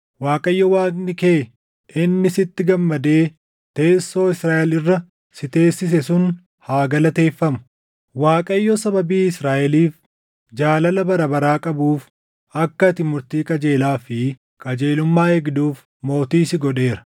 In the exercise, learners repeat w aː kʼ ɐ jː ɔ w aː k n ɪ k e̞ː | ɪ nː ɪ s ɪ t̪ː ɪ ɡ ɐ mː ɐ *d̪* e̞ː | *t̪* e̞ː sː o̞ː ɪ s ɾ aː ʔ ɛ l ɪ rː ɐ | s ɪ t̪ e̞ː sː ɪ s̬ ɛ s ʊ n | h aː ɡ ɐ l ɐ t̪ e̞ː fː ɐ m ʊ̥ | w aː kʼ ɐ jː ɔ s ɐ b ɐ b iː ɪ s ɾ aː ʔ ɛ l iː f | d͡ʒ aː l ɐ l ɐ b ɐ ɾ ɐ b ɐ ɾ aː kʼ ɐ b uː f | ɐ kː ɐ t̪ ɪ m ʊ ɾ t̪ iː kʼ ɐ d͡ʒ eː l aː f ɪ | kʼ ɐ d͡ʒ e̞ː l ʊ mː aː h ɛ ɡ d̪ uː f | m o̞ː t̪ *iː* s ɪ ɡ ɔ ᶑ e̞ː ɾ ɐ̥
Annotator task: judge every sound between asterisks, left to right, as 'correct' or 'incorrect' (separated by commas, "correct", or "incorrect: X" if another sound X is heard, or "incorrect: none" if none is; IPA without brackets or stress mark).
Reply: correct, correct, correct